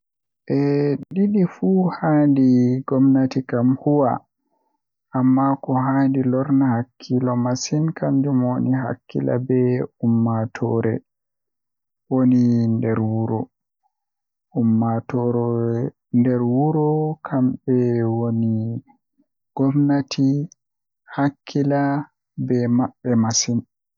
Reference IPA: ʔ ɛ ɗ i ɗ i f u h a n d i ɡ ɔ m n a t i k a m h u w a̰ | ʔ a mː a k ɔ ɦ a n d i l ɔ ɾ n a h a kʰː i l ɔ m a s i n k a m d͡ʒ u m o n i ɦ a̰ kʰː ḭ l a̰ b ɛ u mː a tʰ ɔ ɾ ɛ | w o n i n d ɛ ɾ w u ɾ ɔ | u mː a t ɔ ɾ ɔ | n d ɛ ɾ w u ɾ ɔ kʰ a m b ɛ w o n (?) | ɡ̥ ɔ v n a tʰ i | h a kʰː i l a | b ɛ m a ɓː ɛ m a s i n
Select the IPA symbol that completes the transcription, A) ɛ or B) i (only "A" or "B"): B